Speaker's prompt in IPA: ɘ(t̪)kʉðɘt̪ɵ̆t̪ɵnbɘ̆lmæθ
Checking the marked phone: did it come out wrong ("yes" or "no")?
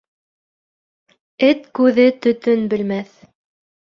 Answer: no